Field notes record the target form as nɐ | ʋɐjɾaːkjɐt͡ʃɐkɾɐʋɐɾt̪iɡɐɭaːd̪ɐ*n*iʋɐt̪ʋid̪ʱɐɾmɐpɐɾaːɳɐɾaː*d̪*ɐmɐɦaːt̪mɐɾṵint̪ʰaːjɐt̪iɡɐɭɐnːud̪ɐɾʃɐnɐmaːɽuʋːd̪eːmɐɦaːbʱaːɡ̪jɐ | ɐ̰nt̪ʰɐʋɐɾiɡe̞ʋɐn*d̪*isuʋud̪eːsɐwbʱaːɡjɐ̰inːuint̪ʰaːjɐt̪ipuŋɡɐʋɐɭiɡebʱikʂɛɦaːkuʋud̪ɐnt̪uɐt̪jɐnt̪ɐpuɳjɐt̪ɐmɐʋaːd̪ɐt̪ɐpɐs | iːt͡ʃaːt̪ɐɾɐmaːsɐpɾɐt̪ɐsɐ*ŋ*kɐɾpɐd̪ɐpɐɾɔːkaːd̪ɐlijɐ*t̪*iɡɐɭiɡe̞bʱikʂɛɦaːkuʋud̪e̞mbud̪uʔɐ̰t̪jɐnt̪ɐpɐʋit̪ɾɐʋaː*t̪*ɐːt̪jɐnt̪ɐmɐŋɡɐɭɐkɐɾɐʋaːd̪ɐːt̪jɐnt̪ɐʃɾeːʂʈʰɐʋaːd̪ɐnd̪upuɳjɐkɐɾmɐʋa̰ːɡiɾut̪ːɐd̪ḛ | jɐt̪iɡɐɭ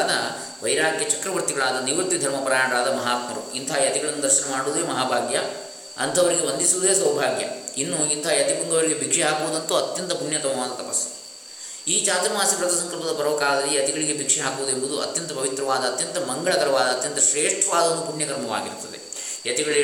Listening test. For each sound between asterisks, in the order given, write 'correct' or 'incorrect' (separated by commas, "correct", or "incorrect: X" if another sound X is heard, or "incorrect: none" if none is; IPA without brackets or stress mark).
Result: correct, correct, correct, correct, correct, incorrect: d̪